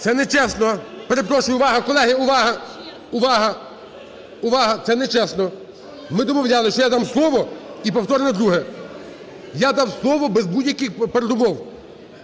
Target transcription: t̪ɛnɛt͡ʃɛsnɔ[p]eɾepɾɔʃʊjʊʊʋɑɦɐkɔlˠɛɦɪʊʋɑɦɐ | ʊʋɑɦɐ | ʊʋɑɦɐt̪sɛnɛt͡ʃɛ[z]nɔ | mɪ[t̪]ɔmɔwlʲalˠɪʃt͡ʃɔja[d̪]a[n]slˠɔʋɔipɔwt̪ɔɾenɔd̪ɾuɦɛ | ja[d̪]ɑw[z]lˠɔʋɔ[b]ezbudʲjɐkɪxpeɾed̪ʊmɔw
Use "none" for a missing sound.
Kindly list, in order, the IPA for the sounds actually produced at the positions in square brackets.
p, s, d̪, d̪, m, d̪, s, b

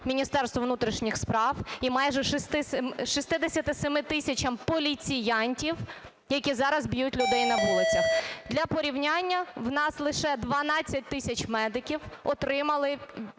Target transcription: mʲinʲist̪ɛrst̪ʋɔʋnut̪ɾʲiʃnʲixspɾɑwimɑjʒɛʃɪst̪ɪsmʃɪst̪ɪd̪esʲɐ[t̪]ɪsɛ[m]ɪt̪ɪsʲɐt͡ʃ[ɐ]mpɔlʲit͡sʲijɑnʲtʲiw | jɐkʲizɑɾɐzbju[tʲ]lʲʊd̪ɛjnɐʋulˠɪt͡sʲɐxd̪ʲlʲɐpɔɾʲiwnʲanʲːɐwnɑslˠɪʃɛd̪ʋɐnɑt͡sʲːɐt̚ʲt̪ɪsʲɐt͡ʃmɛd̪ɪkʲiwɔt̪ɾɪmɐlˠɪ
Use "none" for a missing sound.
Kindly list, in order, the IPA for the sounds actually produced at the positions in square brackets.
t̪, m, ɐ, tʲ

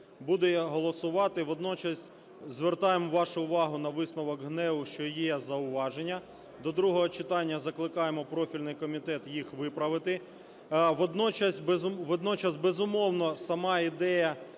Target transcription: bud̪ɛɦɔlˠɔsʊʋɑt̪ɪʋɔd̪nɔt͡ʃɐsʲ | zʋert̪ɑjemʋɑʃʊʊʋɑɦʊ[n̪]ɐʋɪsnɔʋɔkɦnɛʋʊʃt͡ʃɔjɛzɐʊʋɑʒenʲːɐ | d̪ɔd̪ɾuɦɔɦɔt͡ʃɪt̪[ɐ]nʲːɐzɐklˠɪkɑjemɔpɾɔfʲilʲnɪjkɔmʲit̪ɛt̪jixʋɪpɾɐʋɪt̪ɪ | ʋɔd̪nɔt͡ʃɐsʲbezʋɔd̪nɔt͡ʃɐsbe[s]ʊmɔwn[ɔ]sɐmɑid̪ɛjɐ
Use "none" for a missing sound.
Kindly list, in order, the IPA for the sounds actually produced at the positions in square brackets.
n̪, ɑ, z, ɔ

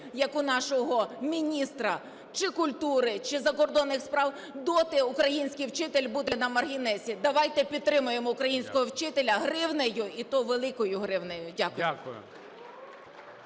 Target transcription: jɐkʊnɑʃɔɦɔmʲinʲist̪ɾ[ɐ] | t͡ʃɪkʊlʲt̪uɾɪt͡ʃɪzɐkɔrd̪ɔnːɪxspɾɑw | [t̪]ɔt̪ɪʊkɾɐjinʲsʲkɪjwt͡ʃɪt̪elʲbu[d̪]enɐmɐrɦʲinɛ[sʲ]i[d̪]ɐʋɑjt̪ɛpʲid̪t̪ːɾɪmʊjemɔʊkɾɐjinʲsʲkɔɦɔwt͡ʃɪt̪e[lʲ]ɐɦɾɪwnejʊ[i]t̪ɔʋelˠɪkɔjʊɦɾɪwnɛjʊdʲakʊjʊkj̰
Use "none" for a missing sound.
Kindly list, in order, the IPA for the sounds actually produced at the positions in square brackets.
ɐ, d̪, d̪, sʲ, d̪, lʲ, i

